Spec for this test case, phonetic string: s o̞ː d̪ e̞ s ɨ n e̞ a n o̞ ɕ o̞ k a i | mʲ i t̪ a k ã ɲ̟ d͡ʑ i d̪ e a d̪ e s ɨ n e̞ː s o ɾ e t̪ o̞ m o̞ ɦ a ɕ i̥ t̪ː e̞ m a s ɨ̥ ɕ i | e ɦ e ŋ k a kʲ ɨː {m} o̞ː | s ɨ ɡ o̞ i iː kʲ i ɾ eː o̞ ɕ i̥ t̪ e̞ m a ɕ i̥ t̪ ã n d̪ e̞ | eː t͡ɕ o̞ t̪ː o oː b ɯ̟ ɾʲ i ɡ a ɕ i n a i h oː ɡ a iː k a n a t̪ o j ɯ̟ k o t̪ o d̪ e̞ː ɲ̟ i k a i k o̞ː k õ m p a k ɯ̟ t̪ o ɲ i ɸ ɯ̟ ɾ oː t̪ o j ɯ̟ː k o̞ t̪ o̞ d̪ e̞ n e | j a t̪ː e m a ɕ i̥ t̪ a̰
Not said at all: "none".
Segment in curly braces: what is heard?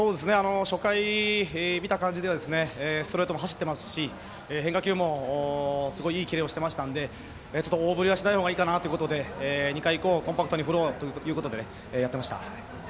m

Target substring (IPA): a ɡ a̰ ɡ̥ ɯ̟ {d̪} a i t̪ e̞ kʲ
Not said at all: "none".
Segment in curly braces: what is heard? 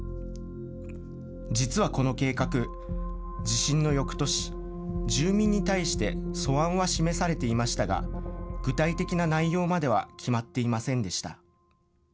t̪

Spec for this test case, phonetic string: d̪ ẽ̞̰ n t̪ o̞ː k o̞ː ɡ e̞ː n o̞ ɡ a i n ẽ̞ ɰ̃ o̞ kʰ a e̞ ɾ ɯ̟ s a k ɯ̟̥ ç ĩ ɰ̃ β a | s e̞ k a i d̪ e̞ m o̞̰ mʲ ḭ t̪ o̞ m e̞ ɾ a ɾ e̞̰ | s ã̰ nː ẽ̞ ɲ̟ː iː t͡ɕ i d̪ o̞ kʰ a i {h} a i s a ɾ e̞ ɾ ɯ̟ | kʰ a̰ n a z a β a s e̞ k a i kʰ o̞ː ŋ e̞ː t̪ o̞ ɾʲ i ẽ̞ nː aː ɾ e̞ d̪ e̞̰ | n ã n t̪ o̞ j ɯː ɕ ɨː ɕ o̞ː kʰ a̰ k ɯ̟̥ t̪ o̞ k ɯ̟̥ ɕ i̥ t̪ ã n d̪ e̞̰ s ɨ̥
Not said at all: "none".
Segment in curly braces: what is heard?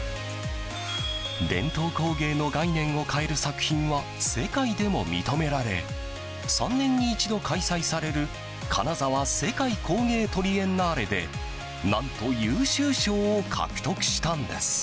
s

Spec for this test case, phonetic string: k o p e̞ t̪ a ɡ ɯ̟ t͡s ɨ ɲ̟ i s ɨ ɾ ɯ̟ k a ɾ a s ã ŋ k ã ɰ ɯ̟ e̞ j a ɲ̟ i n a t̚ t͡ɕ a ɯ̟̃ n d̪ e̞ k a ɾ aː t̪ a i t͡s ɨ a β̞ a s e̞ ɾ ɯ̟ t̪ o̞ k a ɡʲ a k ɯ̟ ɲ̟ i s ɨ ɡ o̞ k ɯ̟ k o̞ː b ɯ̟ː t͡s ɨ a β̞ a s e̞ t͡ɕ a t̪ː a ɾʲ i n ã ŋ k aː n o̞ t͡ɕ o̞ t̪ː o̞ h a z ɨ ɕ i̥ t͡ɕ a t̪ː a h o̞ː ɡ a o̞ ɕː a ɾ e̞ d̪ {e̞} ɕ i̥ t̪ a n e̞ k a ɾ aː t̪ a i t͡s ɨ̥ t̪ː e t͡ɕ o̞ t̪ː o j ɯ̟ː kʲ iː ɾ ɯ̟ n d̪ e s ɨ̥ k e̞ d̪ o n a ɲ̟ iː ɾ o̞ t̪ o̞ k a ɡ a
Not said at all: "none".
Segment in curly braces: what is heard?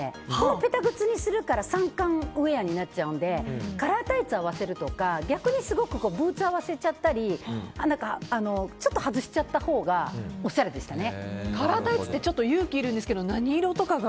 e̞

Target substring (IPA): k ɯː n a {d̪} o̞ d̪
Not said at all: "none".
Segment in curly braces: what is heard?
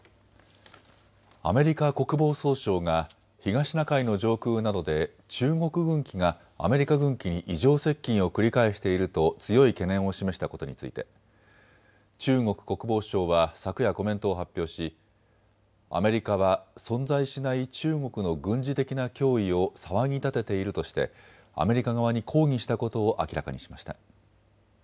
d̪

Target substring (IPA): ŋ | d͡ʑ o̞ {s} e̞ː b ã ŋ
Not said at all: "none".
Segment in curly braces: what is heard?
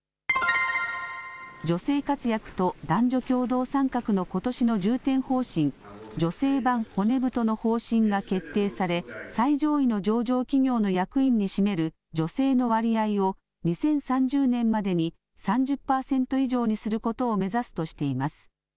s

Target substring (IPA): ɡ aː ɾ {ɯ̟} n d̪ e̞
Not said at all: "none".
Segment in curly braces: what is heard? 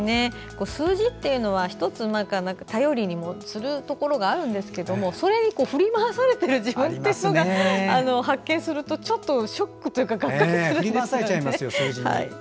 ɯ̟̃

